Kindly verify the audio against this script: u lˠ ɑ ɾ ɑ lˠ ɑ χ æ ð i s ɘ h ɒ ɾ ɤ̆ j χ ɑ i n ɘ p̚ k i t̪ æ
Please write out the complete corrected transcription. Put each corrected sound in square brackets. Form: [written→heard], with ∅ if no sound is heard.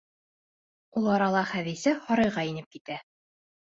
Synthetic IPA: u lˠ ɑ ɾ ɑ lˠ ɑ χ æ ð i s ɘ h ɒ ɾ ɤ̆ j [χ→ʁ] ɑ i n ɘ p̚ k i t̪ æ